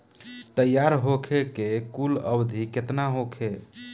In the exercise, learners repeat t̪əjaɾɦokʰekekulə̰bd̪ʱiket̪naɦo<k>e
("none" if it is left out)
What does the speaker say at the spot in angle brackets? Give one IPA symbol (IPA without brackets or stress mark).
kʰ